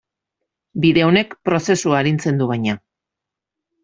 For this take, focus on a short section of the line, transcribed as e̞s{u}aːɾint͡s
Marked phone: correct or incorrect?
correct